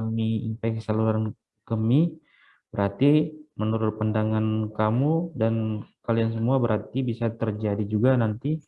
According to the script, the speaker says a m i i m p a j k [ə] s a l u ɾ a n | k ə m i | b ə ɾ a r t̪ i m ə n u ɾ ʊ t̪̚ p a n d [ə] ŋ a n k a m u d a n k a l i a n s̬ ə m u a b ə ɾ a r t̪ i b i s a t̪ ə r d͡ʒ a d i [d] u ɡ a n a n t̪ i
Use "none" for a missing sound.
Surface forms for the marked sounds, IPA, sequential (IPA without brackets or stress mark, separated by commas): ə, a, d͡ʒ